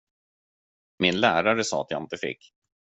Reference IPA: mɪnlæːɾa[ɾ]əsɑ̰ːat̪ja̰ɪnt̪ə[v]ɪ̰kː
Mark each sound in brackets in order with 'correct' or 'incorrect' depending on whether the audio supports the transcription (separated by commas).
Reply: correct, incorrect